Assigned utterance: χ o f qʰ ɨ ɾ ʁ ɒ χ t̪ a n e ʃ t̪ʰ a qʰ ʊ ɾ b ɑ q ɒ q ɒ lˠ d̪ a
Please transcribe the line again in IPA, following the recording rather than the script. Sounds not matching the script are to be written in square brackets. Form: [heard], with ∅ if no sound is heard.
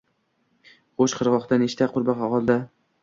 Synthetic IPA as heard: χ o [ʃ] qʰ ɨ ɾ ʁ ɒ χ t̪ a n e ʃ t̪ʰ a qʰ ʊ ɾ b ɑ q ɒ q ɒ lˠ d̪ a